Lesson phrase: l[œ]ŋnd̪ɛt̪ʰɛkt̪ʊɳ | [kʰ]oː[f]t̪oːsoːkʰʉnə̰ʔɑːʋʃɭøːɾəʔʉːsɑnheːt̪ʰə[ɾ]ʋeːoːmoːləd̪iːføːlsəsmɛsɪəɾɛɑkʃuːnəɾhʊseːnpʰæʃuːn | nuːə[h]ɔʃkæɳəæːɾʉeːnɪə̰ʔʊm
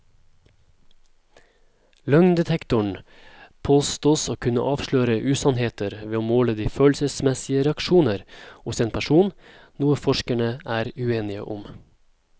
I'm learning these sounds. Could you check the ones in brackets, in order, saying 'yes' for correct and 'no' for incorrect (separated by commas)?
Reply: yes, no, no, yes, no